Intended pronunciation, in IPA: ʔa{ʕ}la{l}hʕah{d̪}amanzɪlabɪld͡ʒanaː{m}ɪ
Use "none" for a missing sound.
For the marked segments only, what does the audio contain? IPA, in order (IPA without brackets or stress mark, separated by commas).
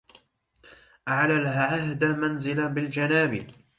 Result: ʕ, l, d̪, b